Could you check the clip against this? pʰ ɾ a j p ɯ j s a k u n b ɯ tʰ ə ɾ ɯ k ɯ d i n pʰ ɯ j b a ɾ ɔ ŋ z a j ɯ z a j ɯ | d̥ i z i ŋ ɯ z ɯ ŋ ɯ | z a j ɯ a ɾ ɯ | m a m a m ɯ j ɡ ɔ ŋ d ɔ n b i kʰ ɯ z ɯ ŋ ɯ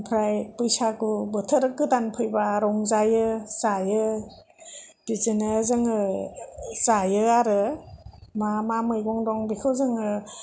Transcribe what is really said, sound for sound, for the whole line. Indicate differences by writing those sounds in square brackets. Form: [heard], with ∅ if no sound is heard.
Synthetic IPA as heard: pʰ ɾ a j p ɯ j s a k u [∅] b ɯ tʰ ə ɾ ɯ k ɯ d [a] n pʰ ɯ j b a ɾ ɔ ŋ z a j ɯ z a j ɯ | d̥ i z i [n] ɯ z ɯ ŋ ɯ | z a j ɯ a ɾ ɯ | m a m a m ɯ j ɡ ɔ ŋ d ɔ [ŋ] b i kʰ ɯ z ɯ ŋ ɯ